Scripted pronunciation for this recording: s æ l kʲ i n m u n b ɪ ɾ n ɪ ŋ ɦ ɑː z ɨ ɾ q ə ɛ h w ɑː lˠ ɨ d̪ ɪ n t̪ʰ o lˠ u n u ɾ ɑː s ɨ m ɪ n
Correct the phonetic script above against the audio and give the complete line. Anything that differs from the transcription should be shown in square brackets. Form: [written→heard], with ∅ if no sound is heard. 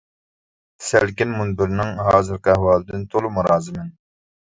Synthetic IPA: s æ l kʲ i n m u n b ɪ ɾ n ɪ ŋ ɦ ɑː z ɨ ɾ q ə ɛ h w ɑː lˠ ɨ d̪ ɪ n t̪ʰ o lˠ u [n→m] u ɾ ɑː [s→z] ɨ m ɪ n